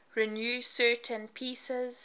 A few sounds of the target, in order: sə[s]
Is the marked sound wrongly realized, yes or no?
yes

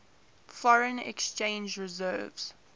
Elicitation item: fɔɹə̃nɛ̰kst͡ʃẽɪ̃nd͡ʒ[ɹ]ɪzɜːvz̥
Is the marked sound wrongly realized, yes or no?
no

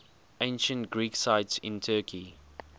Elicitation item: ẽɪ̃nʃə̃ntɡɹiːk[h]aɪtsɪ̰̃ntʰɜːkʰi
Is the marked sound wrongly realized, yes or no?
yes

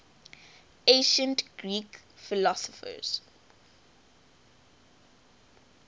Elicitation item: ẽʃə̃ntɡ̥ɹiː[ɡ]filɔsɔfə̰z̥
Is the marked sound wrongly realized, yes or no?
yes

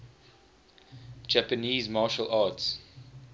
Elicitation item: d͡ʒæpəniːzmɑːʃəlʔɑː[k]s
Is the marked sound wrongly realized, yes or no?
yes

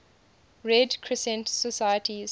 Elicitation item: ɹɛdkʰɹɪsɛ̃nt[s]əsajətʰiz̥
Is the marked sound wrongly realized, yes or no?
no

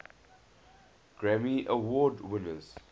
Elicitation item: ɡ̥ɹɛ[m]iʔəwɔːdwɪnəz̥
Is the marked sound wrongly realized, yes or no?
no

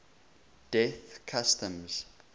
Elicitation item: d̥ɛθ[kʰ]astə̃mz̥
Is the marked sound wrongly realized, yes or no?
no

